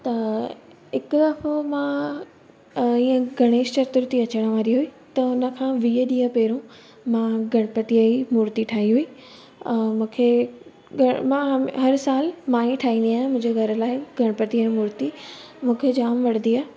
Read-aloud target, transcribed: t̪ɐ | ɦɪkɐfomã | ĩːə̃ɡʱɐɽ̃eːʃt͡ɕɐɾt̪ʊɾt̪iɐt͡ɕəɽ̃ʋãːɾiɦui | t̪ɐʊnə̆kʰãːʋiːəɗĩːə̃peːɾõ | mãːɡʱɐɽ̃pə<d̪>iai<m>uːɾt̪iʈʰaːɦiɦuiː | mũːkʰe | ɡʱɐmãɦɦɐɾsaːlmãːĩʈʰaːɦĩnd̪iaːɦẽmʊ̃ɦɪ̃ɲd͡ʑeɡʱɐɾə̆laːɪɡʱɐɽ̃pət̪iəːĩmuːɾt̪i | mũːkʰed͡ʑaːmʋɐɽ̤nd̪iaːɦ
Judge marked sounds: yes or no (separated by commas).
no, yes